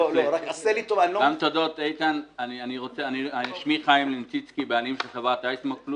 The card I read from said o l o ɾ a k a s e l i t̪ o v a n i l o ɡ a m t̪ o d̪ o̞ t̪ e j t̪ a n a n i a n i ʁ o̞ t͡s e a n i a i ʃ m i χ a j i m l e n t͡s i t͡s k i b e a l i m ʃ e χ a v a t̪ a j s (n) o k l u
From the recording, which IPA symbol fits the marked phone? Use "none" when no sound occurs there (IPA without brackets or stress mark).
m